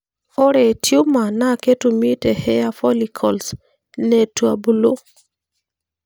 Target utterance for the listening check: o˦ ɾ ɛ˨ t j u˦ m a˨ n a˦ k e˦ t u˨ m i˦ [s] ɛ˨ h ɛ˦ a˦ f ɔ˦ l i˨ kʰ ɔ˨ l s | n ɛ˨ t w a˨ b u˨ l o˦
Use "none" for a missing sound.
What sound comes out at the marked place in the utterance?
t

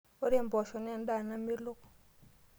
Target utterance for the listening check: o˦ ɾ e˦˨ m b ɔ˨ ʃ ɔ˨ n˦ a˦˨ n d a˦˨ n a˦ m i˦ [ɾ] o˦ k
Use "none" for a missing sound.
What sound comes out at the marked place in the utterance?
l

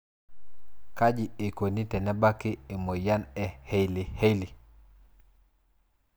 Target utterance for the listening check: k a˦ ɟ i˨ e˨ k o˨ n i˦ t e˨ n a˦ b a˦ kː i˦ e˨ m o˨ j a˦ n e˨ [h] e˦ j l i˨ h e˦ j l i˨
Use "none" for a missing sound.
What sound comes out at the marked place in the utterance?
h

